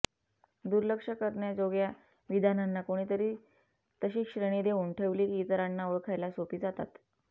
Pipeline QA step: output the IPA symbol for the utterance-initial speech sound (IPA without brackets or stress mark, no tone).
d̪